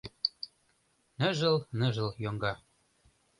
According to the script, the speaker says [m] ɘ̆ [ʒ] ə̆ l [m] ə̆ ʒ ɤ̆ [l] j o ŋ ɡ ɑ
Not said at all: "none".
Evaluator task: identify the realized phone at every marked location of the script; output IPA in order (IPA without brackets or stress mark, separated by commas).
n, ʒ, n, l